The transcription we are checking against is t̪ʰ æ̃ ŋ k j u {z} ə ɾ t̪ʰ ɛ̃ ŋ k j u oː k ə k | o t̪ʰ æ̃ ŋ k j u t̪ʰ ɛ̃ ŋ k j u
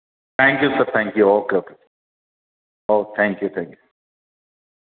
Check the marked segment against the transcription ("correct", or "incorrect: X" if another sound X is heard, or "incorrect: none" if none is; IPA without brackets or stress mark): incorrect: s